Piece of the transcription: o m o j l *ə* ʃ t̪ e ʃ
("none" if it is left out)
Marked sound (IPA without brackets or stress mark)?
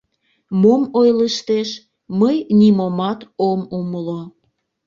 ə